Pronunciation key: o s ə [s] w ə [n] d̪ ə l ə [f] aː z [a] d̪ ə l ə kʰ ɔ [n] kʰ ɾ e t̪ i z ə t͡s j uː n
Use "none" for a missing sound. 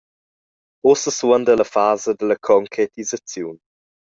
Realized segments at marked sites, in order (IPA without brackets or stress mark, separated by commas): s, n, f, ə, ŋ